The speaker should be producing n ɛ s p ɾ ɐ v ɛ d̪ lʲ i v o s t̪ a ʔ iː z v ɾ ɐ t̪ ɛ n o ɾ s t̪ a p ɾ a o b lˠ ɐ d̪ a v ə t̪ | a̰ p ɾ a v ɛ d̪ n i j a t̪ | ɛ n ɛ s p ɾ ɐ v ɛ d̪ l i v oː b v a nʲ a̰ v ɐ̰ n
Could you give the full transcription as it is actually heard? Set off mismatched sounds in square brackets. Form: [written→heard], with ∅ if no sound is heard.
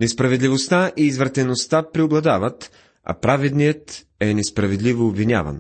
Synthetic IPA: n ɛ s p ɾ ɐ v ɛ d̪ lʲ i v o s t̪ a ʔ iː z v ɾ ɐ t̪ ɛ n o [ɾ→∅] s t̪ a p ɾ [a→i] o b lˠ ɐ d̪ a v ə t̪ | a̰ p ɾ a v ɛ d̪ n i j [a→ə] t̪ | ɛ n ɛ s p ɾ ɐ v ɛ d̪ l i v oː b v [a→i] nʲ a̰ v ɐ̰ n